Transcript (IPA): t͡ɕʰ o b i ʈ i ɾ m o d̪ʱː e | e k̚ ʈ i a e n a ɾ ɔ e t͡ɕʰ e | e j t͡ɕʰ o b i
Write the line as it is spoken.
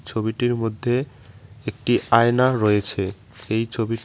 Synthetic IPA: t͡ɕʰ o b i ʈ i ɾ m o d̪ʱː e | e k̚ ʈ i a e n a ɾ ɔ e t͡ɕʰ e | e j t͡ɕʰ o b i